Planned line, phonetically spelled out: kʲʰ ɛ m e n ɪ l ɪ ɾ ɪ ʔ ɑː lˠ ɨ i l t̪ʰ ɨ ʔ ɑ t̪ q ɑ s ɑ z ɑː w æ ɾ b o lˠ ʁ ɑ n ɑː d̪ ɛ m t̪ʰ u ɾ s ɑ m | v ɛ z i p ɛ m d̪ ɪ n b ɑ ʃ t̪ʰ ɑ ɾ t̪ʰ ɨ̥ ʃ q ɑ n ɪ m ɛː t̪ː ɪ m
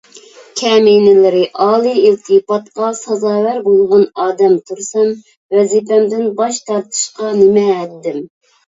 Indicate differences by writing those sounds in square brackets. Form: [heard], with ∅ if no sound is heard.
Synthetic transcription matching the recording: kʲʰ ɛ m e n ɪ l ɪ ɾ ɪ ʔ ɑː lˠ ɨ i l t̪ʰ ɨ [p] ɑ t̪ q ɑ s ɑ z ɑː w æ ɾ b o lˠ ʁ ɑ n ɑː d̪ ɛ m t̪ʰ u ɾ s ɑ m | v ɛ z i p ɛ m d̪ ɪ n b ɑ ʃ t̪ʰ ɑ ɾ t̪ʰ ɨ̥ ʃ q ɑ n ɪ m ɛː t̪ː ɪ m